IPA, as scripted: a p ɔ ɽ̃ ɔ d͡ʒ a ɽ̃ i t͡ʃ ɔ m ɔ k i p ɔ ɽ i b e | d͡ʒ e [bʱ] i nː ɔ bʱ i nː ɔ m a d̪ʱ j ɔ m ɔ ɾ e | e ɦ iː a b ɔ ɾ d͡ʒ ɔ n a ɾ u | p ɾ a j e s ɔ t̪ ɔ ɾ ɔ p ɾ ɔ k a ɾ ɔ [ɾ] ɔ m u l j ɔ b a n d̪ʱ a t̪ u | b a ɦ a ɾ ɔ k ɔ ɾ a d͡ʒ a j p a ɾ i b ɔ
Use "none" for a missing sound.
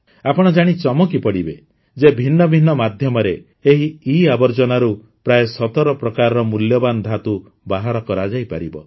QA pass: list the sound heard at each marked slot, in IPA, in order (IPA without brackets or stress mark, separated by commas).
bʱ, ɾ